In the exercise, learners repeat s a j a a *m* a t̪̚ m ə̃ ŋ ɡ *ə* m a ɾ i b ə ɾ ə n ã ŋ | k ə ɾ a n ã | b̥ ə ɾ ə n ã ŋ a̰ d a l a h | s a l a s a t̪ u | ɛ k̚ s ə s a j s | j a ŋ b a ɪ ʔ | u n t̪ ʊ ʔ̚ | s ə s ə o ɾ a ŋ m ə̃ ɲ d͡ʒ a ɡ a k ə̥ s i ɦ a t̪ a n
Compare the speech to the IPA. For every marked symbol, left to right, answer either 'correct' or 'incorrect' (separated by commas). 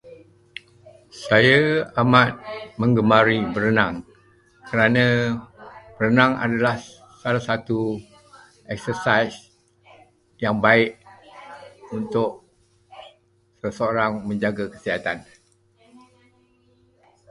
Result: correct, correct